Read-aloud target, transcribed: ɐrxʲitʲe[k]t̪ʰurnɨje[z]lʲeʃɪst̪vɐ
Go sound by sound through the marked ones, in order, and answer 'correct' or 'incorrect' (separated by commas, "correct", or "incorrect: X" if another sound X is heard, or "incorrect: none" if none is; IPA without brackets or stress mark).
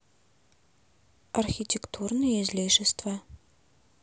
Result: correct, correct